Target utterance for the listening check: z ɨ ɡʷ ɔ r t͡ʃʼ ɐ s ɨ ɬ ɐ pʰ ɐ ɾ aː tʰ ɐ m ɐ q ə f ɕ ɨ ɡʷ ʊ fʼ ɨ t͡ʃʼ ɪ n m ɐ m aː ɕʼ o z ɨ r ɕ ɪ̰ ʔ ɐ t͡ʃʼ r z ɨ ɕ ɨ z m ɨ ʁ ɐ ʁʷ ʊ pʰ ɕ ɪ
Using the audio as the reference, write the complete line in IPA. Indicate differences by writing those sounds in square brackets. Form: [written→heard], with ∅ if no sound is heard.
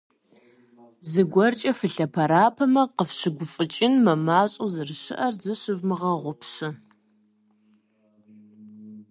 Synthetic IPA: z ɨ ɡʷ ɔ r t͡ʃʼ ɐ [s→f] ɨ ɬ ɐ pʰ ɐ ɾ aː [tʰ→pʰ] ɐ m ɐ q ə f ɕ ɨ ɡʷ ʊ fʼ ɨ t͡ʃʼ ɪ n m ɐ m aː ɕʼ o z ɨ r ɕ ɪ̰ ʔ ɐ [t͡ʃʼ→∅] r z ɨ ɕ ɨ [z→v] m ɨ ʁ ɐ ʁʷ ʊ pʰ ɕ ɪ